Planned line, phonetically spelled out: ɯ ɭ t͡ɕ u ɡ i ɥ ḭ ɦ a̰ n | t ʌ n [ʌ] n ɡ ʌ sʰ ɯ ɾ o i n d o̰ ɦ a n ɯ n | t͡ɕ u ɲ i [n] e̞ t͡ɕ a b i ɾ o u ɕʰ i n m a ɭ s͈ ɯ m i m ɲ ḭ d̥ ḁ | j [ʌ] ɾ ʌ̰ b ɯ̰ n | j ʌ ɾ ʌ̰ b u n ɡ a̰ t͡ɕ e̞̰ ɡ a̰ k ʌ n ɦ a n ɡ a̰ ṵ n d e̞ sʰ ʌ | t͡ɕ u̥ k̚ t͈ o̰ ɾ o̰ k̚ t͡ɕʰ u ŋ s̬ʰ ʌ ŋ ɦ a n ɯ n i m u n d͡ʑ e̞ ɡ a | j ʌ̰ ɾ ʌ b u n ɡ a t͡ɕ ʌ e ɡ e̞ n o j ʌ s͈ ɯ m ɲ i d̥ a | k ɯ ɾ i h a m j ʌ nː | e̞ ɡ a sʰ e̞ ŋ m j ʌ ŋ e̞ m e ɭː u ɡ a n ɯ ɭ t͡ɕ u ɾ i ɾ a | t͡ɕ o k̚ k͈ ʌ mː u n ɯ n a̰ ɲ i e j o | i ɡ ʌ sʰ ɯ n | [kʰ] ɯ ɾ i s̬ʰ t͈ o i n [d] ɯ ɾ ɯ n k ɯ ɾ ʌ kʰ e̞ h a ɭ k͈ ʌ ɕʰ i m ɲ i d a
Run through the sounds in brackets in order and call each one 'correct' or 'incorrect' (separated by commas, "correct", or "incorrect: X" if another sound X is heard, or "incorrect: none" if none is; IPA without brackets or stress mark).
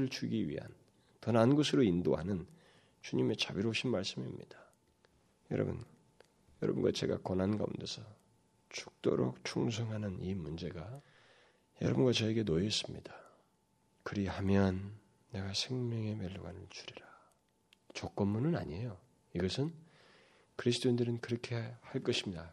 incorrect: a, incorrect: m, correct, incorrect: k, correct